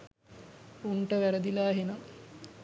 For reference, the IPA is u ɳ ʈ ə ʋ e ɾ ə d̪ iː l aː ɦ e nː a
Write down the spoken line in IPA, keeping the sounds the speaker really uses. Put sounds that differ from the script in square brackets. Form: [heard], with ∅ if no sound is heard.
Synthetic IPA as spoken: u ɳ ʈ ə ʋ [æ] ɾ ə d̪ [i] l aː ɦ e [n] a